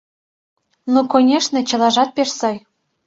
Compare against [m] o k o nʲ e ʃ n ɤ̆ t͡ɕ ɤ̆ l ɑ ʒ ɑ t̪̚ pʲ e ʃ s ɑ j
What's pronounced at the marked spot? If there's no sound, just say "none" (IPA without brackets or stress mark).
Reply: n